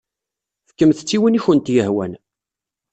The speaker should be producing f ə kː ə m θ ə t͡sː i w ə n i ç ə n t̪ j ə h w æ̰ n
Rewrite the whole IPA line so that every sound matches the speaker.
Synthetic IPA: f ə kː ə m θ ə t͡sː i w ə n i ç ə n t̪ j ə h w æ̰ n